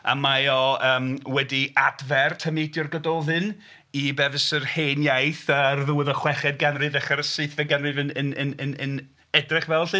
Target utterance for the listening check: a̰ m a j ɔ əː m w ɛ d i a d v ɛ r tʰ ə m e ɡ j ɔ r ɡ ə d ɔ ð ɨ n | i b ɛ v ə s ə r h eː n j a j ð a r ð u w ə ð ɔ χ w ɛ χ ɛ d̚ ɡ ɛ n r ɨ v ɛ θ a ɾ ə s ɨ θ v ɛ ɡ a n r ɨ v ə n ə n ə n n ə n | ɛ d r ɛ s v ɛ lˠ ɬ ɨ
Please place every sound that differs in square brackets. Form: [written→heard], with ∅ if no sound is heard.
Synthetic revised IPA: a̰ m a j ɔ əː m w ɛ d i a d v ɛ r tʰ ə m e [ɡ→d] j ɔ r ɡ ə d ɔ ð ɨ n | i b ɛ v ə s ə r h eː n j a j [ð→θ] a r ð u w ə ð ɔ χ w ɛ χ ɛ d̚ ɡ [ɛ→a] n r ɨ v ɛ [θ→χ] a ɾ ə s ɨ θ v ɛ ɡ a n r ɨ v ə n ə n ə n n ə n | ɛ d r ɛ [s→χ] v ɛ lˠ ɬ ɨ